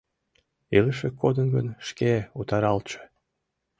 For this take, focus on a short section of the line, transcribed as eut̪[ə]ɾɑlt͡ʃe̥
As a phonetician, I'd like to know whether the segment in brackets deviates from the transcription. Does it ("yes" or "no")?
yes